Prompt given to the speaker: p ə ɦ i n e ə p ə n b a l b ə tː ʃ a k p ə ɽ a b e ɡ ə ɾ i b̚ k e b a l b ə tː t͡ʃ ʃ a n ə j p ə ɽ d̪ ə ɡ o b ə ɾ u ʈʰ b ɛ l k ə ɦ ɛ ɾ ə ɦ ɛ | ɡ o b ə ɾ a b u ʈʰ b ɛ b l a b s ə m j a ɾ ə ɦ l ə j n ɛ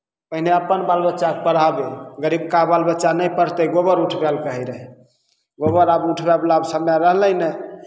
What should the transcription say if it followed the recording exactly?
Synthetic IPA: p ə ɦ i n e ə p ə n b a l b ə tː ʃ a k p ə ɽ a b e ɡ ə ɾ i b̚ k a b a l b ə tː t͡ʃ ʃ a n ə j p ə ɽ t̪ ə ɡ o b ə ɾ u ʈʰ b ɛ l k ə ɦ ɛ ɾ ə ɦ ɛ | ɡ o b ə ɾ a b u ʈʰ b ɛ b l a b s ə m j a ɾ ə ɦ l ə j n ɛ

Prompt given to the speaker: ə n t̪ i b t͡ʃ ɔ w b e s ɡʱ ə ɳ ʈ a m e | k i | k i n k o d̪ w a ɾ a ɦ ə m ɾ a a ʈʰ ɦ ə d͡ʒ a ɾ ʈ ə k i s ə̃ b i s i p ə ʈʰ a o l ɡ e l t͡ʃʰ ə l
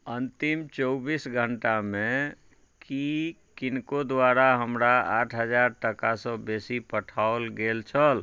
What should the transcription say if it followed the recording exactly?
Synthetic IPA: ə n t̪ i m t͡ʃ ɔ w b i s ɡʱ ə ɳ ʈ a m e | k i | k i n k o d̪ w a ɾ a ɦ ə m ɾ a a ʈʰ ɦ ə d͡ʒ a ɾ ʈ ə k a s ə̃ b e s i p ə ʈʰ a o l ɡ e l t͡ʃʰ ə l

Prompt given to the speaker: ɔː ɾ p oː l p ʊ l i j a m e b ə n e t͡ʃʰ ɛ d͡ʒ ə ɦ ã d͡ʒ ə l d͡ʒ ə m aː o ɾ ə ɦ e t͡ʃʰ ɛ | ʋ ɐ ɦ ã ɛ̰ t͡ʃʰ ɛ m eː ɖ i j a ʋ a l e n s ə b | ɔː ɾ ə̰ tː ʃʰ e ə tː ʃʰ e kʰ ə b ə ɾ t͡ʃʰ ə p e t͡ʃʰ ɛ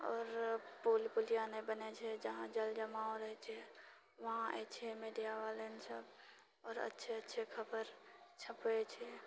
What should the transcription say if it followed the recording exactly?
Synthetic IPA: ɔː ɾ p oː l p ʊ l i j a n e b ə n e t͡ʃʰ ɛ d͡ʒ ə ɦ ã d͡ʒ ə l d͡ʒ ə m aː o ɾ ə ɦ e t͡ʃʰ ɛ | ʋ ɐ ɦ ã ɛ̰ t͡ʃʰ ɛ m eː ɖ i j a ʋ a l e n s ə b | ɔː ɾ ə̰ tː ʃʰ e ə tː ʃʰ e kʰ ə b ə ɾ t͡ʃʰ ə p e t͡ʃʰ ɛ

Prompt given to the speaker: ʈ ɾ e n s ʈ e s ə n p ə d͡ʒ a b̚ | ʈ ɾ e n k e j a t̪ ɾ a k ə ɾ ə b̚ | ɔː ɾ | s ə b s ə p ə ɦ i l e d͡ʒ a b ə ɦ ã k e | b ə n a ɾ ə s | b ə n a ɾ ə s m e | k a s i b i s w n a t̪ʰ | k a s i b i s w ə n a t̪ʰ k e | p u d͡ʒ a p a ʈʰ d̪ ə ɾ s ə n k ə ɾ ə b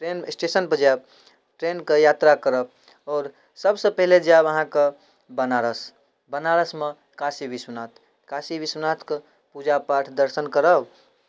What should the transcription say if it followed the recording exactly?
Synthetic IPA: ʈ ɾ e n s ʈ e s ə n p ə d͡ʒ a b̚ | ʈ ɾ e n k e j a t̪ ɾ a k ə ɾ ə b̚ | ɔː ɾ | s ə b s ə p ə ɦ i l e d͡ʒ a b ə ɦ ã k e | b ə n a ɾ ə s | b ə n a ɾ ə s m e | k a s i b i s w n a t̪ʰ | k a s i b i s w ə n a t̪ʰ k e | p u d͡ʒ a p a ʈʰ d̪ ə ɾ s ə n k ə ɾ ə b

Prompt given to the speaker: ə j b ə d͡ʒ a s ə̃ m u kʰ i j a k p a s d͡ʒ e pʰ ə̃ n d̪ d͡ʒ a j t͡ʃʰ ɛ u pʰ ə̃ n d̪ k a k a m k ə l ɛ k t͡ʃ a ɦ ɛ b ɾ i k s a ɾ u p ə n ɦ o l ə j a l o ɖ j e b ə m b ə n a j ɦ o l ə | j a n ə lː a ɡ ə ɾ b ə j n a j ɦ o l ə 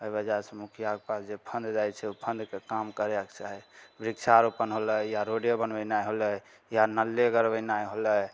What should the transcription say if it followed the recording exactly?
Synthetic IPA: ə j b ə d͡ʒ a s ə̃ m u kʰ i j a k p a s d͡ʒ e pʰ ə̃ n d̪ d͡ʒ a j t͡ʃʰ ɛ u pʰ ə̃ n d̪ k e k a m k ə ɾ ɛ k t͡ʃ a ɦ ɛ b ɾ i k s a ɾ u p ə n ɦ o l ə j a ɾ o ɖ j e b ə n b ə n a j ɦ o l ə | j a n ə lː e ɡ ə ɾ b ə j n a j ɦ o l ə

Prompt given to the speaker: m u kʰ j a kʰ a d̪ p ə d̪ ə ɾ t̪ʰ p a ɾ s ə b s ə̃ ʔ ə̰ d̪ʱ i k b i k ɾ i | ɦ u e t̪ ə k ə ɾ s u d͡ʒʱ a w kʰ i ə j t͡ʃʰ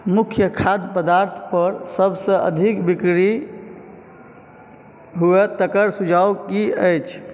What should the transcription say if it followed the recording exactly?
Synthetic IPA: m u kʰ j ə kʰ a d̪ p ə d̪ a ɾ t̪ʰ p ə ɾ s ə b s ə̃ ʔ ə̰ d̪ʱ i k b i k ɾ i | ɦ u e t̪ ə k ə ɾ s u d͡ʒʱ a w k i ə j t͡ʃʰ

